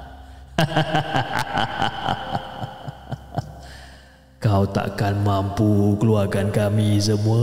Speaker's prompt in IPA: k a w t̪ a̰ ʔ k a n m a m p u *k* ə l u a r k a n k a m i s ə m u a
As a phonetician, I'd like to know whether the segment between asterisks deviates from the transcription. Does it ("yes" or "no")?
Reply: no